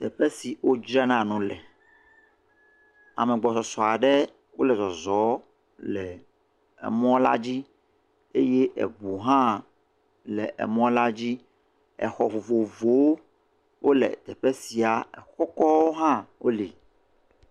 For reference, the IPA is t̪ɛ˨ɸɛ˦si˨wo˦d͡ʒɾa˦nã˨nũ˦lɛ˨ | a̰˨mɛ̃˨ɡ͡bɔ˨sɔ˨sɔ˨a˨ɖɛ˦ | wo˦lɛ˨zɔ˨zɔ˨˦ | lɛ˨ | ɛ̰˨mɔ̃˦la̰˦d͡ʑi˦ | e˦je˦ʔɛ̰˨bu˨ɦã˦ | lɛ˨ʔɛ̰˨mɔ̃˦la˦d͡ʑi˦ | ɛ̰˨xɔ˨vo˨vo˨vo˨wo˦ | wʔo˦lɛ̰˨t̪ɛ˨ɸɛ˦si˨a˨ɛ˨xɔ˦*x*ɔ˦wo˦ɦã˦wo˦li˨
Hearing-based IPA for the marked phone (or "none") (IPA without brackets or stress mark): k